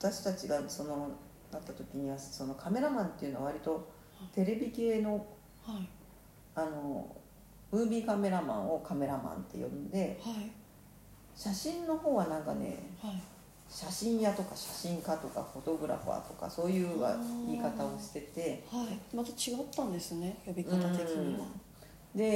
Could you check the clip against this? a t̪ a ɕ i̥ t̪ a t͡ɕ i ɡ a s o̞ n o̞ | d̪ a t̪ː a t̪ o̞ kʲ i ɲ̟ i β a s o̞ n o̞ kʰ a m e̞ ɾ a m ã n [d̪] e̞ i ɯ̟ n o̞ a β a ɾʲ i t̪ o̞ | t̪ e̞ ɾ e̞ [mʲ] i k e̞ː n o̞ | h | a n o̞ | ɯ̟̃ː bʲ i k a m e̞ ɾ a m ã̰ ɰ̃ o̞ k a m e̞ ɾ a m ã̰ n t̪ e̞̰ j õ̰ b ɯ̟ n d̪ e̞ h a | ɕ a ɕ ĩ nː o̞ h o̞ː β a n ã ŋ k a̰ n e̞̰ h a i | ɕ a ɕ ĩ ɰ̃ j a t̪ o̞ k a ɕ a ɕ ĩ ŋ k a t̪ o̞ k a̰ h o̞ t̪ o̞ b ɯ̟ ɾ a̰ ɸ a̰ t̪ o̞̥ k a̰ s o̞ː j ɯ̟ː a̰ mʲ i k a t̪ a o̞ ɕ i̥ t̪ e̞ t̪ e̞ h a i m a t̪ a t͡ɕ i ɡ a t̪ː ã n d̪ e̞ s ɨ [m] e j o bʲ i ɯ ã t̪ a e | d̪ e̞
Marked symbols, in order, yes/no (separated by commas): no, no, no